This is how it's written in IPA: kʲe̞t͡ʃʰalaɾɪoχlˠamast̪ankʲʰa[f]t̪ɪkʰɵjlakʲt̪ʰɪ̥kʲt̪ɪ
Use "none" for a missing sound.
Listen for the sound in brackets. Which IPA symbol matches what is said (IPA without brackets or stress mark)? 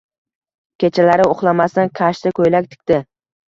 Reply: ʃ